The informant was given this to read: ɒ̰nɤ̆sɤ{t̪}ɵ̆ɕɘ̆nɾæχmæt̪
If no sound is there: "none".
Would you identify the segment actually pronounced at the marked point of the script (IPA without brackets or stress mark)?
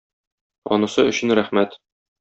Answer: none